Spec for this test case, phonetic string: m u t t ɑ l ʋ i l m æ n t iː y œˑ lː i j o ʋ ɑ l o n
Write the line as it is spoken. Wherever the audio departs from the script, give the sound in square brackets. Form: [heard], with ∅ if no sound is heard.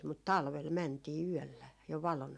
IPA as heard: m u t t ɑ l ʋ [e] l m æ n t iː y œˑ lː [æ] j o ʋ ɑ l o n